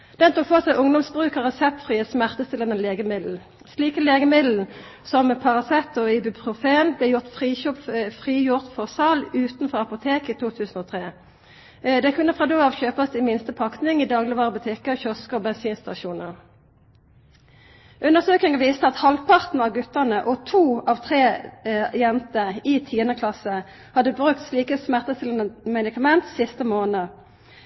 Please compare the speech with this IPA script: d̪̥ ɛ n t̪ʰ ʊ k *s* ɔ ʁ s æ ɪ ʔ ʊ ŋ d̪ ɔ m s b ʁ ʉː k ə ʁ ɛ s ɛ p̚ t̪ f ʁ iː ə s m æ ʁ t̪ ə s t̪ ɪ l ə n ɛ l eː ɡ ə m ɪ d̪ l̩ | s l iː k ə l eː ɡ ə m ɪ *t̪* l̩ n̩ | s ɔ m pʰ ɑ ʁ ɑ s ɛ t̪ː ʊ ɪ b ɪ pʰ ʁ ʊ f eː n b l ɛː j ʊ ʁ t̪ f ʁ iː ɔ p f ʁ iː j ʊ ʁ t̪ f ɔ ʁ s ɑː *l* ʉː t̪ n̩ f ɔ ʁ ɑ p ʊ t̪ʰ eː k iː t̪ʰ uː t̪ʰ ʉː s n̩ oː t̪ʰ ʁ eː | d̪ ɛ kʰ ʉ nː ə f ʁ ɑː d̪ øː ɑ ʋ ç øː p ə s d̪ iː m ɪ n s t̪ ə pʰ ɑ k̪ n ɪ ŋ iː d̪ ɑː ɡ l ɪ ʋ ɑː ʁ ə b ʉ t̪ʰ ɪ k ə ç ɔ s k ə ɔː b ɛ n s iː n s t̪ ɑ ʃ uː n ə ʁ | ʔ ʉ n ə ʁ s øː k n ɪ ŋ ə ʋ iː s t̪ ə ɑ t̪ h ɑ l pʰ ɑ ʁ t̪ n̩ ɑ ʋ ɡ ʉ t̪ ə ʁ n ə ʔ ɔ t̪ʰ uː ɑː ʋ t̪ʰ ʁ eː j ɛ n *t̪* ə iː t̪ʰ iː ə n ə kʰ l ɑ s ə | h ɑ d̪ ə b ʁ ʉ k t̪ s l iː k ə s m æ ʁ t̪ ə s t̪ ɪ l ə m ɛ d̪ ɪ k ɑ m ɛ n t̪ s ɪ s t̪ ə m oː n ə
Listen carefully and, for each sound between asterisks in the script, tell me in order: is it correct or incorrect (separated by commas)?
incorrect, incorrect, correct, correct